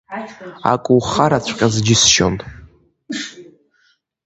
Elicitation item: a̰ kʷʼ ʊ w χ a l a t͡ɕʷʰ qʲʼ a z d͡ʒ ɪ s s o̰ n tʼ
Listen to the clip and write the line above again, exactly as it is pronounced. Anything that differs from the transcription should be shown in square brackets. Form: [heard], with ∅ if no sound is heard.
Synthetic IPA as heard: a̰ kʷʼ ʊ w χ a [ɾ] a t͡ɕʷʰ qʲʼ a z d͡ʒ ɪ s [ʃ] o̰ n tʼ